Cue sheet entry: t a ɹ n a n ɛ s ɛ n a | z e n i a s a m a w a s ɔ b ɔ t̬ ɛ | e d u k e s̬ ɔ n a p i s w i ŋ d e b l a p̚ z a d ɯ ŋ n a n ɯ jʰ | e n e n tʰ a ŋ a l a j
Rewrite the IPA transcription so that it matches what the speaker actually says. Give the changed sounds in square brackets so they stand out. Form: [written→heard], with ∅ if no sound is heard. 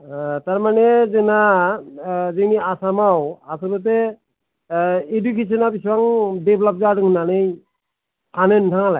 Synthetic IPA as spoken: t a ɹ [n→m] a n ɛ [s→z] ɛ n a | z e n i a s a m a w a s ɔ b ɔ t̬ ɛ | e d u k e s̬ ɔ n a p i s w [i→a] ŋ d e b l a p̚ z a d ɯ ŋ n a n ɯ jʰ | [e→a] n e n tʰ a ŋ a l a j